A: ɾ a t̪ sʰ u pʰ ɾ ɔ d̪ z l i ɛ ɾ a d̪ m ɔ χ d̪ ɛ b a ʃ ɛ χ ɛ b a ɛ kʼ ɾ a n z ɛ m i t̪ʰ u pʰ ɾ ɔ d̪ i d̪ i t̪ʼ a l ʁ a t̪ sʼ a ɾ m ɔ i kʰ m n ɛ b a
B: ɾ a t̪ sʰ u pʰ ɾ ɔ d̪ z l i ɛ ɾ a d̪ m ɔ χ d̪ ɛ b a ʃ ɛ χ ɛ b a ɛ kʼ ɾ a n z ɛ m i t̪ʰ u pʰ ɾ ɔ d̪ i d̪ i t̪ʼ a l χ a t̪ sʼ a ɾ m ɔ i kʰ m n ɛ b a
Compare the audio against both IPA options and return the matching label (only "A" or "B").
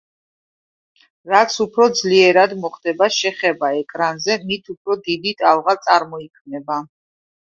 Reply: A